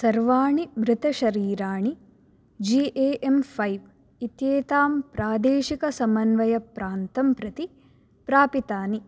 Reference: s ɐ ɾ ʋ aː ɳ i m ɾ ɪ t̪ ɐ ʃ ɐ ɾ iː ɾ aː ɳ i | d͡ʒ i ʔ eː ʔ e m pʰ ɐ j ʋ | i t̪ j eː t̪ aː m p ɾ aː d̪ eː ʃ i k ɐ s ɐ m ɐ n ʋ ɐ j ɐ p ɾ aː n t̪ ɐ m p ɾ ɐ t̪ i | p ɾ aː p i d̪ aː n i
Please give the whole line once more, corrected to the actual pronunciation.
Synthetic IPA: s ɐ ɾ ʋ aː ɳ i m ɾ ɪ t̪ ɐ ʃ ɐ ɾ iː ɾ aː ɳ i | d͡ʒ i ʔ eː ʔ e m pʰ ɐ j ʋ | i t̪ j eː t̪ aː m p ɾ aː d̪ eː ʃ i k ɐ s ɐ m ɐ n ʋ ɐ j ɐ p ɾ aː n t̪ ɐ m p ɾ ɐ t̪ i | p ɾ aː p i t̪ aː n i

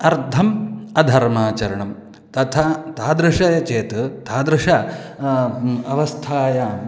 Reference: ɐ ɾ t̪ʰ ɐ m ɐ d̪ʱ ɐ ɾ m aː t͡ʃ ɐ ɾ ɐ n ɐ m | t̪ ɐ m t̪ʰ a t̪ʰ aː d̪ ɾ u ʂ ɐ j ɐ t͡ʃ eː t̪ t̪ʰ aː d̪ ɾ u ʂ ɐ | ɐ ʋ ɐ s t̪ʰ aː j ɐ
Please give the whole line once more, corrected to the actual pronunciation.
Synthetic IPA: ɐ ɾ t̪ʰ ɐ m ɐ d̪ʱ ɐ ɾ m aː t͡ʃ ɐ ɾ ɐ ɳ ɐ m | t̪ ɐ t̪ʰ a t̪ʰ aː d̪ ɾ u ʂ ɐ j ɐ t͡ʃ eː t̪ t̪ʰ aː d̪ ɾ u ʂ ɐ | ɐ ʋ ɐ s t̪ʰ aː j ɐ

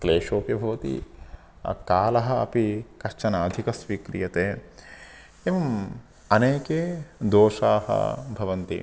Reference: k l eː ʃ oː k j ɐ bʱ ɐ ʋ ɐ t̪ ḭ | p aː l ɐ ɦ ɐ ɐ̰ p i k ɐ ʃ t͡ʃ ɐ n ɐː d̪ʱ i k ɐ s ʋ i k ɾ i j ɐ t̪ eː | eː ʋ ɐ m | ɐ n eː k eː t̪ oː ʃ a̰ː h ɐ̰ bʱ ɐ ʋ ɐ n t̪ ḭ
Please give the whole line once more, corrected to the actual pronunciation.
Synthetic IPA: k l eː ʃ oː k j ɐ bʱ ɐ ʋ ɐ t̪ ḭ | k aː l ɐ ɦ ɐ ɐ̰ p i k ɐ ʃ t͡ʃ ɐ n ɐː d̪ʱ i k ɐ s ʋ i k ɾ i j ɐ t̪ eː | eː ʋ ɐ m | ɐ n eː k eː d̪ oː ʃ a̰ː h ɐ̰ bʱ ɐ ʋ ɐ n t̪ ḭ

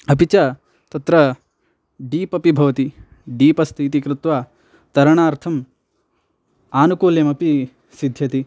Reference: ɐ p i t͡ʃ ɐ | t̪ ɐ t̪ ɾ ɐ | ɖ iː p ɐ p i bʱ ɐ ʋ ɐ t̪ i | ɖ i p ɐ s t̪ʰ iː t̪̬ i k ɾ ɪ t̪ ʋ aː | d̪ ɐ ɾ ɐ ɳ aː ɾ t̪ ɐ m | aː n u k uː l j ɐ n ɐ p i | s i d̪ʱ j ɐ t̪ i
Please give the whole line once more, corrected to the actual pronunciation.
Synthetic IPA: ɐ p i t͡ʃ ɐ | t̪ ɐ t̪ ɾ ɐ | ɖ iː p ɐ p i bʱ ɐ ʋ ɐ t̪ i | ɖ iː p ɐ s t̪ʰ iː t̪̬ i k ɾ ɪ t̪ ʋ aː | t̪ ɐ ɾ ɐ ɳ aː ɾ t̪ʰ ɐ m | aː n u k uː l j ɐ m ɐ p i | s i d̪ʱ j ɐ t̪ i

